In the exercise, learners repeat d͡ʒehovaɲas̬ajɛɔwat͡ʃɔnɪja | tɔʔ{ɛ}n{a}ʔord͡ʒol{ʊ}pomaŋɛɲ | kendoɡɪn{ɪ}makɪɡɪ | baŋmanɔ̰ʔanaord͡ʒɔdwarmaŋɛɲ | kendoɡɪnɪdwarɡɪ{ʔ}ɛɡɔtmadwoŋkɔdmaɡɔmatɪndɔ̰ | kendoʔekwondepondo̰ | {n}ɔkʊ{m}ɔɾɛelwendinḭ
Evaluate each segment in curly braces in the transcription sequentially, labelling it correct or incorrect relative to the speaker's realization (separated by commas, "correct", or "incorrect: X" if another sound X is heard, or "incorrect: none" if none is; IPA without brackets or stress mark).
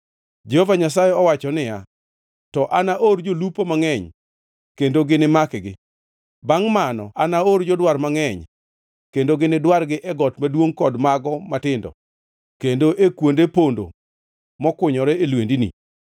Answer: incorrect: a, correct, incorrect: u, correct, correct, incorrect: m, incorrect: ɲ